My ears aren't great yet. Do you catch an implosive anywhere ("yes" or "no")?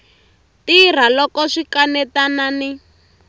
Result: no